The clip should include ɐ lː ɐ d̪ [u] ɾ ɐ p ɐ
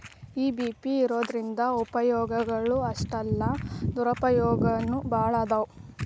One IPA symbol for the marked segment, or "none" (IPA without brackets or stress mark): u